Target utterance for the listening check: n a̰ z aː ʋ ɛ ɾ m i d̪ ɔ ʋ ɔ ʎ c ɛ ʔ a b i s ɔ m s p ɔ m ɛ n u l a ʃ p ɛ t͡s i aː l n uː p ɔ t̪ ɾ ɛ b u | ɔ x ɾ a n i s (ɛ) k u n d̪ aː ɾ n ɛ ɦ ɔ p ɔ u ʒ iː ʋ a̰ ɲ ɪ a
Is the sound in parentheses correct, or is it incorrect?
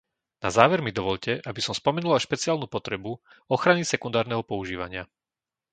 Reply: correct